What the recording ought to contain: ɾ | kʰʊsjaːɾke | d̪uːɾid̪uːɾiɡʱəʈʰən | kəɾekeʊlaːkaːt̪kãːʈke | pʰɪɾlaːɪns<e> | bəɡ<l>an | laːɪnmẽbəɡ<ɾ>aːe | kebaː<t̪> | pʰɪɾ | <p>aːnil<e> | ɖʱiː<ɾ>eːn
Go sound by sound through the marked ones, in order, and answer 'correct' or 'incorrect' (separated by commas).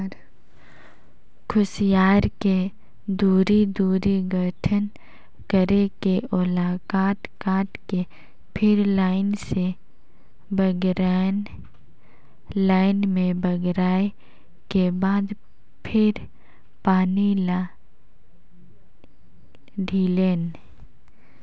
correct, incorrect, correct, incorrect, correct, incorrect, incorrect